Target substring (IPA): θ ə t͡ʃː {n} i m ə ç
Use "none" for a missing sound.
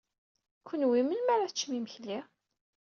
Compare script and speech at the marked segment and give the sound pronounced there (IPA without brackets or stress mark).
m